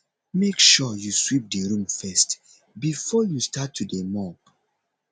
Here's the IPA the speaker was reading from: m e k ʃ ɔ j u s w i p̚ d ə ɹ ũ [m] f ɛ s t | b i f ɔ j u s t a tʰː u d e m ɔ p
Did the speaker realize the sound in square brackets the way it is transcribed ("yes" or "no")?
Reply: yes